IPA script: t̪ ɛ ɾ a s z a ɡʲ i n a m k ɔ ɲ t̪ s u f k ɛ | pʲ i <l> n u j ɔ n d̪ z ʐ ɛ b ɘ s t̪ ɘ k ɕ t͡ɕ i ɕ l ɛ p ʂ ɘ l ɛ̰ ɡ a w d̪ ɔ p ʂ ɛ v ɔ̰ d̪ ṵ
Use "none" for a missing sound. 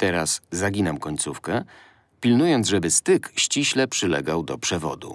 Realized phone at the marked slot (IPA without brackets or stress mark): l